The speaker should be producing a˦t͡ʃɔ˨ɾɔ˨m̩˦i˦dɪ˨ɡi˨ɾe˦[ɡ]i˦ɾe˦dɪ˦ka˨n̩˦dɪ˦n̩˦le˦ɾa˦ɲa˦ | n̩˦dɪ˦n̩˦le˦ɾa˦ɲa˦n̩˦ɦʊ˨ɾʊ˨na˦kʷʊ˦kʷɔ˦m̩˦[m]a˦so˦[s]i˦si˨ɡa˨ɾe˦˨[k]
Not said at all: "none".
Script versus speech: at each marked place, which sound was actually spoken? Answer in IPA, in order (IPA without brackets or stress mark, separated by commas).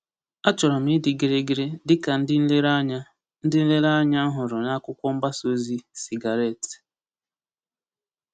ɡ, b, z, t